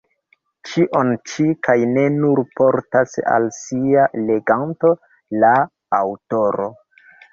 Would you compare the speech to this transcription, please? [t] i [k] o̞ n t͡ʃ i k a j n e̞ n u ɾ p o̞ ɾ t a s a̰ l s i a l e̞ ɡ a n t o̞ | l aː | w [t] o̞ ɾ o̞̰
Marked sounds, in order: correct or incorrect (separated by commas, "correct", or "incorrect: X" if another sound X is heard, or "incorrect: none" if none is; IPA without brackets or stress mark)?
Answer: incorrect: t͡ʃ, incorrect: ʔ, correct